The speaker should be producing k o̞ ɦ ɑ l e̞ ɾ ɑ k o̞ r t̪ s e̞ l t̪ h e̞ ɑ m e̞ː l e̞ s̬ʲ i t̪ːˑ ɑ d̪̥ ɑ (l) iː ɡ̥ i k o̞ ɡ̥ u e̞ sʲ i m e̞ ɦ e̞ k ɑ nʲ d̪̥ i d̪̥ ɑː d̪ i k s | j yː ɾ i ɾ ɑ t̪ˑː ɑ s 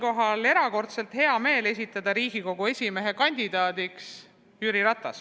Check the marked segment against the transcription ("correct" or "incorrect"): incorrect